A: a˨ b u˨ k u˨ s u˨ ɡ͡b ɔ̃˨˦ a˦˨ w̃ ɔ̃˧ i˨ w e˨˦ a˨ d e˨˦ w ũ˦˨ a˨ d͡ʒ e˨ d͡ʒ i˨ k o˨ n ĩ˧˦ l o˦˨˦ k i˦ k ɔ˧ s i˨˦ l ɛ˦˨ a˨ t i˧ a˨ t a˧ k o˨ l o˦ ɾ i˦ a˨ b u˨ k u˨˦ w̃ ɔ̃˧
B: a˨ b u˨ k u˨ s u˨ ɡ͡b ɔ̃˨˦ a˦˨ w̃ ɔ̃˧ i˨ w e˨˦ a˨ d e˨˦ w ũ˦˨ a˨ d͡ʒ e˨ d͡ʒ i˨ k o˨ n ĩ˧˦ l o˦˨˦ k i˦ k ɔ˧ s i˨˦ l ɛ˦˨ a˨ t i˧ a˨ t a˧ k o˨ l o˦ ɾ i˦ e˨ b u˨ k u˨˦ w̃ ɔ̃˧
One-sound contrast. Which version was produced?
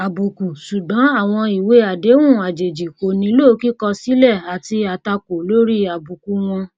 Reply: A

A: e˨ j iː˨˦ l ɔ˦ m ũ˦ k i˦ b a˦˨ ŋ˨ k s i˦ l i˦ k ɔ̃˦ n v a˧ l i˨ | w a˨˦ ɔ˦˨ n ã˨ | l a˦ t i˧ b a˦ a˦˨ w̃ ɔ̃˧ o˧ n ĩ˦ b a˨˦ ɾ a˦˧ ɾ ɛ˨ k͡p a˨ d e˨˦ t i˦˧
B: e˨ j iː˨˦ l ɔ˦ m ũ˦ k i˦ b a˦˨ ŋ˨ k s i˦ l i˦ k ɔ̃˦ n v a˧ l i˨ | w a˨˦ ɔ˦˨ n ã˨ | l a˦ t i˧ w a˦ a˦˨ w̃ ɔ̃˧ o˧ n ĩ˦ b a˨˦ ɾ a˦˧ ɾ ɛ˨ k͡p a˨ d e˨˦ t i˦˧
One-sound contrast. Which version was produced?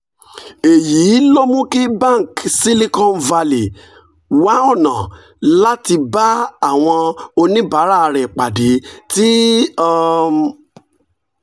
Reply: A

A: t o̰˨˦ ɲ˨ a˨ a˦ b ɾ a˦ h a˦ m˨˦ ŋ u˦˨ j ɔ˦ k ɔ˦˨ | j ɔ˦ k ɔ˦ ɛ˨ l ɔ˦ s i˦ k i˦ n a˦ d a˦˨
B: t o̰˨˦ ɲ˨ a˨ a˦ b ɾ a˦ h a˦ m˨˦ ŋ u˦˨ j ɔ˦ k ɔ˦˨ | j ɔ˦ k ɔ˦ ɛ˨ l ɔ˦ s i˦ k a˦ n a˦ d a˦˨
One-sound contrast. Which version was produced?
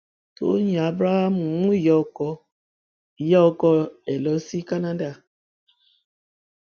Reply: B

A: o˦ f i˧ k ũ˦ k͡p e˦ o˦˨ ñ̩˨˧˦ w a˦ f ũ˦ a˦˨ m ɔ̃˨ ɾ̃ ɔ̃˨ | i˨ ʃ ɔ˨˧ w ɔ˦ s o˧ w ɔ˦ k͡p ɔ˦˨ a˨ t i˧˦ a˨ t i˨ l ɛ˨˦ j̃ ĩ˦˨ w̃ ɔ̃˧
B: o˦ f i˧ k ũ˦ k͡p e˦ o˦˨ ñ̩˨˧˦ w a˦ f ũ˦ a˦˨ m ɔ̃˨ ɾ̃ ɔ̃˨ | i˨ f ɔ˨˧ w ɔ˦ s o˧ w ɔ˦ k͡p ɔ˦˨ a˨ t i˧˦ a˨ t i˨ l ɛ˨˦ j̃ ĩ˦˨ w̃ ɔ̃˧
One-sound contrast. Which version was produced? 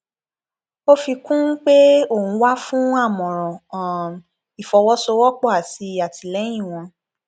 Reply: B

